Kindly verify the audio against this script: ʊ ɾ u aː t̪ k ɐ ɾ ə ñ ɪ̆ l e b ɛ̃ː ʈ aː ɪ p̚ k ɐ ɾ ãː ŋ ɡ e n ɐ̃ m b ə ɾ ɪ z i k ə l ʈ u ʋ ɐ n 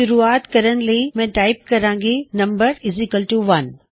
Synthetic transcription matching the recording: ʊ ɾ u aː t̪ k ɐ ɾ ə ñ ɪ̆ l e m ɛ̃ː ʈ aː ɪ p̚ k ɐ ɾ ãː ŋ ɡ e n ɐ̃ m b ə ɾ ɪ z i k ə l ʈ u ʋ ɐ n